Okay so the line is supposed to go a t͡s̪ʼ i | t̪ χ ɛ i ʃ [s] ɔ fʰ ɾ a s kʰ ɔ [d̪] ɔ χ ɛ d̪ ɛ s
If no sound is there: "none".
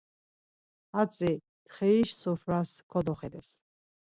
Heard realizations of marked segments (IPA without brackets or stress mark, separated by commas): s, d̪